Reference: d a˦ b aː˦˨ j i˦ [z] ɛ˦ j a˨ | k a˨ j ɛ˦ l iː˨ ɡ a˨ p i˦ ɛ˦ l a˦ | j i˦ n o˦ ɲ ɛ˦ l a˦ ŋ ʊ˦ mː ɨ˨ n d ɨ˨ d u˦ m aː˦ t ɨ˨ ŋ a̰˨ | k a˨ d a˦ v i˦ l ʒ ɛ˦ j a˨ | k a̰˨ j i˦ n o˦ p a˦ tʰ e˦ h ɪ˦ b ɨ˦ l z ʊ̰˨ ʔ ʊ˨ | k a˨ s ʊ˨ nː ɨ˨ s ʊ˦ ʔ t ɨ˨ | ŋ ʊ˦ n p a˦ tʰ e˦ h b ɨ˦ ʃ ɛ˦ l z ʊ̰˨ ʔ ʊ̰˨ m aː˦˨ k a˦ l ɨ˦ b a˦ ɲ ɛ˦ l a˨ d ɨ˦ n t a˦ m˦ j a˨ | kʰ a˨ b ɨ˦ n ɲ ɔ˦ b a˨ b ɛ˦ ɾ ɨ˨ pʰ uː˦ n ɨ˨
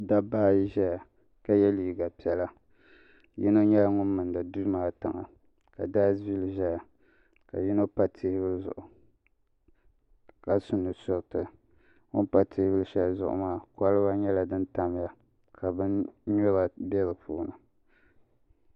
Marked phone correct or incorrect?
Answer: incorrect: ʒ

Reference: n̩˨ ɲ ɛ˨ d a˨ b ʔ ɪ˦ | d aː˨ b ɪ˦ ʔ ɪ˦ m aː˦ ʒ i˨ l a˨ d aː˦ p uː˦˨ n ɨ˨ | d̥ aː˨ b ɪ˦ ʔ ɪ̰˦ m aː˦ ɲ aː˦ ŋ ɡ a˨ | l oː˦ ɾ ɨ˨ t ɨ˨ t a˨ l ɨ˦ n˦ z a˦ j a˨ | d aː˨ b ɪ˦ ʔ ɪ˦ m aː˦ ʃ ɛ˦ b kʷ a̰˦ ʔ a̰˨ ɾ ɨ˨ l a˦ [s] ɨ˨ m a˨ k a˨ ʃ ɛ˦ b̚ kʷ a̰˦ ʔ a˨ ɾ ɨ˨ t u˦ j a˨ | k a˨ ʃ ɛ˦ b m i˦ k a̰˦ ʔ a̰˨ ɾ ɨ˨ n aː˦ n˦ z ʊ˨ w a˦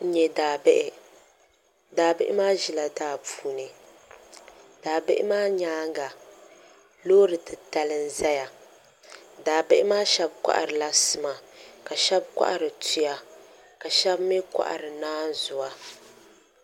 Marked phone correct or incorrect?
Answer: correct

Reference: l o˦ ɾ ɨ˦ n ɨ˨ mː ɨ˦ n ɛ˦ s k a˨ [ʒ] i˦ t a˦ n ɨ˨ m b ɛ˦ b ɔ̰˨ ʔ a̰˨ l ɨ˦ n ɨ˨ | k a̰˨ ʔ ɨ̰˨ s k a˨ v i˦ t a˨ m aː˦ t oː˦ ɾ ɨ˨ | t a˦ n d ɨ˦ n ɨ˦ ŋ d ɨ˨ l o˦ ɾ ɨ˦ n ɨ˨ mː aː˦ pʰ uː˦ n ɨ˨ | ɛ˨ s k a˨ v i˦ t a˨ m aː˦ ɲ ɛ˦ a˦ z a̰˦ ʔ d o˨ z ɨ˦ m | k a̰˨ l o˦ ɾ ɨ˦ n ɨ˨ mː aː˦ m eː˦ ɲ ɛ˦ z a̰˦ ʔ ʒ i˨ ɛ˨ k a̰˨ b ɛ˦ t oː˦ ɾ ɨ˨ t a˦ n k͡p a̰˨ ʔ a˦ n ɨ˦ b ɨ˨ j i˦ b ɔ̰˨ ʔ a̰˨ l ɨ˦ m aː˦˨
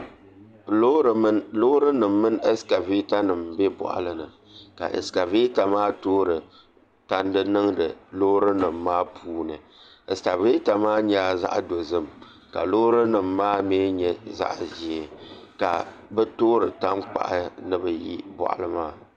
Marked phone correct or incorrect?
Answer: incorrect: v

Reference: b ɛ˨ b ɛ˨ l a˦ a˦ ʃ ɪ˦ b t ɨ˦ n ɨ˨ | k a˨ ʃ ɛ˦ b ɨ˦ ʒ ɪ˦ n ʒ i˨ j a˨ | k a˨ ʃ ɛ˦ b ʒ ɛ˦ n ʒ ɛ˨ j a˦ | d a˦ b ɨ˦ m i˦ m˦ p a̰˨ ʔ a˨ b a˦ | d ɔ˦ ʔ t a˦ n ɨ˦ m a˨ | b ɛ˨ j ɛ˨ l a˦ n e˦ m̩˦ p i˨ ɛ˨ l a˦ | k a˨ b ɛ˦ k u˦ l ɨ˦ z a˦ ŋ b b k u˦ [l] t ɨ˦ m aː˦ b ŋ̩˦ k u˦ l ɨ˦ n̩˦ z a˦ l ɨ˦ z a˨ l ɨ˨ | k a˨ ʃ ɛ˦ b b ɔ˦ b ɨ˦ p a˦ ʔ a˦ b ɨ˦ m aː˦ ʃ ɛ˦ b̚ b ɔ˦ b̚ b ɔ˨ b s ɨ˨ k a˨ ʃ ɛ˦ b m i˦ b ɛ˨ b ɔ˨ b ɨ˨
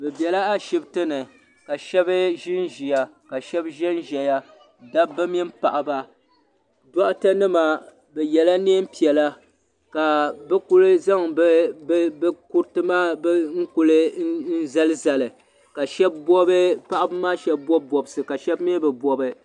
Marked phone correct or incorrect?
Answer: incorrect: ɾ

